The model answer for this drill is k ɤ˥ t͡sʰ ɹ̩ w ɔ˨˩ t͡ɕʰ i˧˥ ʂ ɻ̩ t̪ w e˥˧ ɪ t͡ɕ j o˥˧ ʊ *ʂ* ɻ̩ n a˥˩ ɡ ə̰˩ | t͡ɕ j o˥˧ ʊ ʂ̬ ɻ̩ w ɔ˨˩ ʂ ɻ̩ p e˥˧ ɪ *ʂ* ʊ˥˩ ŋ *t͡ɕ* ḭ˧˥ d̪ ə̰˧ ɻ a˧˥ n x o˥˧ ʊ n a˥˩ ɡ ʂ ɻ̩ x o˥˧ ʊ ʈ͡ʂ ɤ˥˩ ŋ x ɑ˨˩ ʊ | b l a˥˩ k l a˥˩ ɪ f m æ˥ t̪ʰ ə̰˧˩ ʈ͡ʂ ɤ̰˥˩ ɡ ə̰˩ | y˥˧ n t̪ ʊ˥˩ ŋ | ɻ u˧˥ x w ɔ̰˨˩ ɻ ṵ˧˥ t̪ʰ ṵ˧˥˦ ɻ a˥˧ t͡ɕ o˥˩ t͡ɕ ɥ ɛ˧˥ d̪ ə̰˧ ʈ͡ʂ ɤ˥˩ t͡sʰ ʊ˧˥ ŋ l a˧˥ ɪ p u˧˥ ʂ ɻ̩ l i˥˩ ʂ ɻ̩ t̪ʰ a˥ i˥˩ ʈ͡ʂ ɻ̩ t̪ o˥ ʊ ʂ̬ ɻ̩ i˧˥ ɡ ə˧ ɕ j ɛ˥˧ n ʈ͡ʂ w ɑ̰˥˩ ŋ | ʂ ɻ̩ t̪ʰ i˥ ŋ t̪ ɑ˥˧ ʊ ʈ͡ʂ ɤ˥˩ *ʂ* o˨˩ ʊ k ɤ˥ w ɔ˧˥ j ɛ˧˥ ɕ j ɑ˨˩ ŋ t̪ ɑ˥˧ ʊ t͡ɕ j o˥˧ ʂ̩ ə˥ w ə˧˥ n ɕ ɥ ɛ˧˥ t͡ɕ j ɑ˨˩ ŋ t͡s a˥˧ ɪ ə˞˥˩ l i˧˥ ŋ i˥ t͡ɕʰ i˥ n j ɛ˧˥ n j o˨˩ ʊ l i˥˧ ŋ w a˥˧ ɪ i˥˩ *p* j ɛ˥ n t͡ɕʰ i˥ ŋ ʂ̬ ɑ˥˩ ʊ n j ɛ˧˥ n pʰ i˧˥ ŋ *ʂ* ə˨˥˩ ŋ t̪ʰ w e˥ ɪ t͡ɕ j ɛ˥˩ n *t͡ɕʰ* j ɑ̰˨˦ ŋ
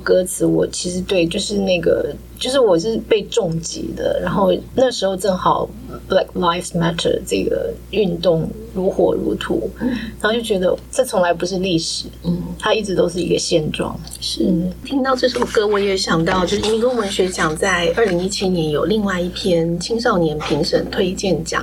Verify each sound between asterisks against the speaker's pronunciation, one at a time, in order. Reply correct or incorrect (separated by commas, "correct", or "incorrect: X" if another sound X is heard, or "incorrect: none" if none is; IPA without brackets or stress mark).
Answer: correct, incorrect: ʈ͡ʂ, correct, correct, incorrect: pʰ, correct, incorrect: t͡ɕ